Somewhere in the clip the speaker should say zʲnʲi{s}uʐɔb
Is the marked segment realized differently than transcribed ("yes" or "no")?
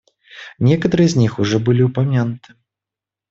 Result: yes